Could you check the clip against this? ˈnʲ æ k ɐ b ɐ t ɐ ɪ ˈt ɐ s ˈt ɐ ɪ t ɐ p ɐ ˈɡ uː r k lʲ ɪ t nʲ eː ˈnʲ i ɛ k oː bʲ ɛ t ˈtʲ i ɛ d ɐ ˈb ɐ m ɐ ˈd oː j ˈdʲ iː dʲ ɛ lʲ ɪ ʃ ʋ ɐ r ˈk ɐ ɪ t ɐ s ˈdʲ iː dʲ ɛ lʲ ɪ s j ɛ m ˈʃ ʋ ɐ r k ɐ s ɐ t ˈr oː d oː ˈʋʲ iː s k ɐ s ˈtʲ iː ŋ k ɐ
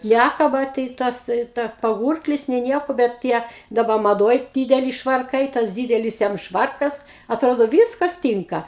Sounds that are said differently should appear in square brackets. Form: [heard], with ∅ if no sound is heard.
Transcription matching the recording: ˈnʲ æ k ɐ b ɐ t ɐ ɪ ˈt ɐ s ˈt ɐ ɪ t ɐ p ɐ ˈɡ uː r k lʲ ɪ [s] nʲ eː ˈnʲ i ɛ k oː bʲ ɛ t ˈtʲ i ɛ d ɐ ˈb ɐ m ɐ ˈd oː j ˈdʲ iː dʲ ɛ lʲ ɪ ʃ ʋ ɐ r ˈk ɐ ɪ t ɐ s ˈdʲ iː dʲ ɛ lʲ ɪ s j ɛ m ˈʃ ʋ ɐ r k ɐ s ɐ t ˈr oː d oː ˈʋʲ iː s k ɐ s ˈtʲ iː ŋ k ɐ

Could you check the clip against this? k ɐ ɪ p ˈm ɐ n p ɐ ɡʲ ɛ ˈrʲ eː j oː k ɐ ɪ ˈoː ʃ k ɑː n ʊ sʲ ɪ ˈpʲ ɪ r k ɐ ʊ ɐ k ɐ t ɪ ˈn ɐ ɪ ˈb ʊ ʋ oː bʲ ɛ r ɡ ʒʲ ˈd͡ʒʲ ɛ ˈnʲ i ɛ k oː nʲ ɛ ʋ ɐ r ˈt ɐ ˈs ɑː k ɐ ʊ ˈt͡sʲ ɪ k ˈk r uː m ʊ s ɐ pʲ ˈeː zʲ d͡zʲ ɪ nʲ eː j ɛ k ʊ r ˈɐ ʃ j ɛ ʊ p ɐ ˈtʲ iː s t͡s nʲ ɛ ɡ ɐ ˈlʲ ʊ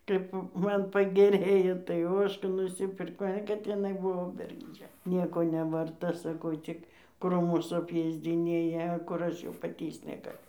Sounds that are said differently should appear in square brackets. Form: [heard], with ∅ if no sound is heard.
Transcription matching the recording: k ɐ ɪ p ˈm ɐ n p ɐ ɡʲ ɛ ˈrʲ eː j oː [t] ɐ ɪ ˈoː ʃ k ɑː n ʊ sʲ ɪ ˈpʲ ɪ r k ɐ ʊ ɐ k ɐ t ɪ ˈn ɐ ɪ ˈb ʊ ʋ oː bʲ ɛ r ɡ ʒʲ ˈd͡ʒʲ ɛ ˈnʲ i ɛ k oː nʲ ɛ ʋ ɐ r ˈt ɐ ˈs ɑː k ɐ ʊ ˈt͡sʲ ɪ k ˈk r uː m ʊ s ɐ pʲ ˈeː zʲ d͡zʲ ɪ nʲ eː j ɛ k ʊ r ˈɐ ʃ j ɛ ʊ p ɐ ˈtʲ iː s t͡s nʲ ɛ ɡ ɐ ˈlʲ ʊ

